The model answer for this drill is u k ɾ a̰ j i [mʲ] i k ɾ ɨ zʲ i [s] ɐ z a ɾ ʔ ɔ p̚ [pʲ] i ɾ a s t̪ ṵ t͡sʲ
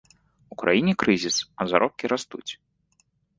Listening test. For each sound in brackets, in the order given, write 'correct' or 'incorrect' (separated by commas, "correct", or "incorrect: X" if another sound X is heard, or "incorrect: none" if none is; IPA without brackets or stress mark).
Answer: incorrect: nʲ, correct, incorrect: kʲ